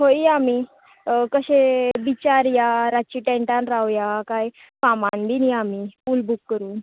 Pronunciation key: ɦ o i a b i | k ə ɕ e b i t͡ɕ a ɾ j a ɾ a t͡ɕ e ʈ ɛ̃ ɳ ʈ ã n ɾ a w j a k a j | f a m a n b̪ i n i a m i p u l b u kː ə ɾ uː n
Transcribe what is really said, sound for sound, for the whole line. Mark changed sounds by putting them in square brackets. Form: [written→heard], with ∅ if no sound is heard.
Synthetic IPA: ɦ o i a [b→m] i | k ə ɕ e b i t͡ɕ a ɾ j a ɾ a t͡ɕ [e→i] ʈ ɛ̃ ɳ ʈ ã n ɾ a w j a k a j | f a m a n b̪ i n i a m i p u l b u kː ə ɾ uː n